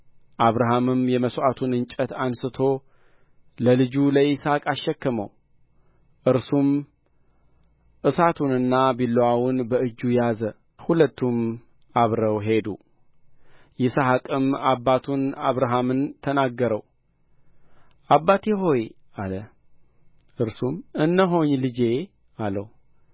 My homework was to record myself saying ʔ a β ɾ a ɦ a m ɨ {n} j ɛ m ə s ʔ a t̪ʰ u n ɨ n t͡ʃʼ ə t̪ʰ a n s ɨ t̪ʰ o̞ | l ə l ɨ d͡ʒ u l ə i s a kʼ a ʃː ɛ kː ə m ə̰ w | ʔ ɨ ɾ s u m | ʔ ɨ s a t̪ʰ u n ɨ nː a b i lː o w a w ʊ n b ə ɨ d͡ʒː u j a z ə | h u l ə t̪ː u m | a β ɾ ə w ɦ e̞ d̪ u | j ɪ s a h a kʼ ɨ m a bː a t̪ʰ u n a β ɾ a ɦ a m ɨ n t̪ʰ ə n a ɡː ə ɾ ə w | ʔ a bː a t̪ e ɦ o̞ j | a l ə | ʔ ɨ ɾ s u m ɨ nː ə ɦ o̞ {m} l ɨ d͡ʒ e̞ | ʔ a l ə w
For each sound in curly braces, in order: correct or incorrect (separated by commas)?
incorrect, incorrect